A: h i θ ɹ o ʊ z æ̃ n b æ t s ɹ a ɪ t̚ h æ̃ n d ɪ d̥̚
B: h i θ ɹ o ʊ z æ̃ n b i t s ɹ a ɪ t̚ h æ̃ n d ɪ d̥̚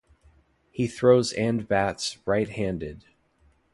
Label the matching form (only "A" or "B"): A